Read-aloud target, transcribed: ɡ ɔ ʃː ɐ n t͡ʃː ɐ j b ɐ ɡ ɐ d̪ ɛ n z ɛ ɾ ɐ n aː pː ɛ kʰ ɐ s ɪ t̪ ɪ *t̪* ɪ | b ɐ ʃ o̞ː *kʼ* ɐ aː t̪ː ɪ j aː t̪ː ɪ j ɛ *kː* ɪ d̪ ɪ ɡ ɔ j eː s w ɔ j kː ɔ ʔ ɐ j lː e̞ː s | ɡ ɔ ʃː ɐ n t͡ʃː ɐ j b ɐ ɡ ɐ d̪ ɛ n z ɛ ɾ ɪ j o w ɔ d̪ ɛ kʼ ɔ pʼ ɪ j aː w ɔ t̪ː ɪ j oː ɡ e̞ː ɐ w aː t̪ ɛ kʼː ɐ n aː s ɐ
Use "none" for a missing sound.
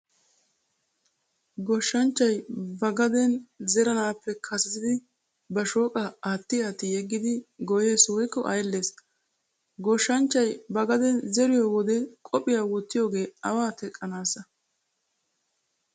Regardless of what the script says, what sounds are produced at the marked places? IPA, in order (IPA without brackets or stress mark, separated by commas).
d̪, kʼ, ɡː